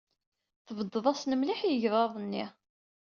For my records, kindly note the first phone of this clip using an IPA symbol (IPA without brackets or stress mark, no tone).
θ